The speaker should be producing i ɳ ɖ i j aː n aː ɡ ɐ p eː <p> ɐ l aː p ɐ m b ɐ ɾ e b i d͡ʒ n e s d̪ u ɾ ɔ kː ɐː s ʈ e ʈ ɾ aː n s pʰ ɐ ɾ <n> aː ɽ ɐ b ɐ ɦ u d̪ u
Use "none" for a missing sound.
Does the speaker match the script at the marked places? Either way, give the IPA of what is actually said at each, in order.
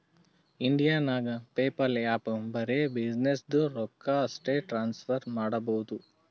p, m

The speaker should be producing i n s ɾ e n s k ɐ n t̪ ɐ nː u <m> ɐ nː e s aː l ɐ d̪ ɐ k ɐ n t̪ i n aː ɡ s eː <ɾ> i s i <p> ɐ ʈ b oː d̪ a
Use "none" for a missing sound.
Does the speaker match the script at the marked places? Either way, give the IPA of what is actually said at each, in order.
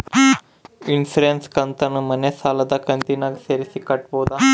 m, ɾ, k

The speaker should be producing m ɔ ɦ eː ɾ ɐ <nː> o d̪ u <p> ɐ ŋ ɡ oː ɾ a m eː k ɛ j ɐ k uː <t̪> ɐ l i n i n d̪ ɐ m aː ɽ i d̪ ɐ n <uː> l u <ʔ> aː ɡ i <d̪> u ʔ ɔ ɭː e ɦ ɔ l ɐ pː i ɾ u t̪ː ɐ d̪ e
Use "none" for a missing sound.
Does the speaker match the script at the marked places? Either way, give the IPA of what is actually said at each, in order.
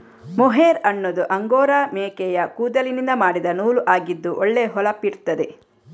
nː, ʔ, d̪, uː, ʔ, d̪ː

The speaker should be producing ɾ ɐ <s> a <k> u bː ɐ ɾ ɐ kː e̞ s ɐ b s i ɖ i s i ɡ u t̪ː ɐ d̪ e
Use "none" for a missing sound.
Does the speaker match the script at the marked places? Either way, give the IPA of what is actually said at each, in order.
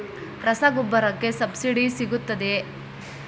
s, ɡ

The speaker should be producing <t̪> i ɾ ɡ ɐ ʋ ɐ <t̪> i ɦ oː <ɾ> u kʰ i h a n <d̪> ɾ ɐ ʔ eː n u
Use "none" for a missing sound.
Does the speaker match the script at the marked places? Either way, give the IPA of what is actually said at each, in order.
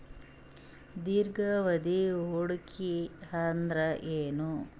d̪, d̪, ɽ, d̪

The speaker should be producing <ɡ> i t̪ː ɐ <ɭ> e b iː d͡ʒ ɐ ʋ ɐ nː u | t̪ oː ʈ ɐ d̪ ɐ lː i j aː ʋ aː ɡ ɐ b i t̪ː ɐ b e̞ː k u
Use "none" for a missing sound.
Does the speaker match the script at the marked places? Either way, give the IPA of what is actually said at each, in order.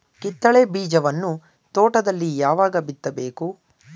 k, ɭ

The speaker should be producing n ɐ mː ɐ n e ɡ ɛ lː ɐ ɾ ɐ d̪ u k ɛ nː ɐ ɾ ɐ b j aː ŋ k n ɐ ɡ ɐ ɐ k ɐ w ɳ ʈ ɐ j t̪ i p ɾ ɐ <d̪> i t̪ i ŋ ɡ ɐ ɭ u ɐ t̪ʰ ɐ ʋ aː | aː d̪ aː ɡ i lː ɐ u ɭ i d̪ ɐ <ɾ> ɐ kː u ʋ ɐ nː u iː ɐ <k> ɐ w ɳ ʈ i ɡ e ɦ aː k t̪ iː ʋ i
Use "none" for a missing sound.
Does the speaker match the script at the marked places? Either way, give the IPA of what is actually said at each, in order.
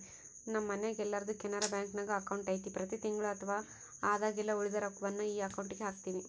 t̪, ɾ, k

